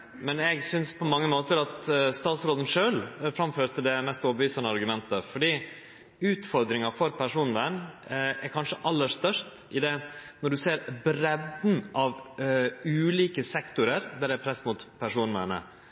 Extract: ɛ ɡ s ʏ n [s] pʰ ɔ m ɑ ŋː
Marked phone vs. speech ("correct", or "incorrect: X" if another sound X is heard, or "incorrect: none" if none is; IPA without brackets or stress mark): correct